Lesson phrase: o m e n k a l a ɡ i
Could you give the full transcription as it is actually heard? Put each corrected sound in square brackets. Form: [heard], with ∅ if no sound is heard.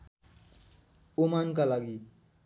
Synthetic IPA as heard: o m [a] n k a l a ɡ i